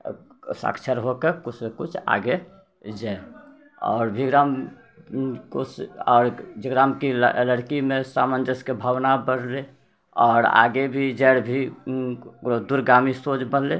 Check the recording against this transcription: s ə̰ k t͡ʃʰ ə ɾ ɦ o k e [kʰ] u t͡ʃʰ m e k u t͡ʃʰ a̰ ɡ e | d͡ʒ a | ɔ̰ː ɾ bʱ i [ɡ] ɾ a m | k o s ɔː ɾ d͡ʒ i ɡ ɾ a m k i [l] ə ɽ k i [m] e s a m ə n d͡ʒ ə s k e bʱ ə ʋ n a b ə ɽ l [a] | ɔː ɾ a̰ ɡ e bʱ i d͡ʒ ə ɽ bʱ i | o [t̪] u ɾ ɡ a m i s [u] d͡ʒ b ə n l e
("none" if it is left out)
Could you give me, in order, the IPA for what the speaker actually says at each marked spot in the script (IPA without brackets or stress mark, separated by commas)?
k, ɡ, l, m, e, d̪, o